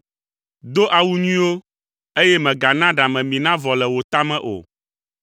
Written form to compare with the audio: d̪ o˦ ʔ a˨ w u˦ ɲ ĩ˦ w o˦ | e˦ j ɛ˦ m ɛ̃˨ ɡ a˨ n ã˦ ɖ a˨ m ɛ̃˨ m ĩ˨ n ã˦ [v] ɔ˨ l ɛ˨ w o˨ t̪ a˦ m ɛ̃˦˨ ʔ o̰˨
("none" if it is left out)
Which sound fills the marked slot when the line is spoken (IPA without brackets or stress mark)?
v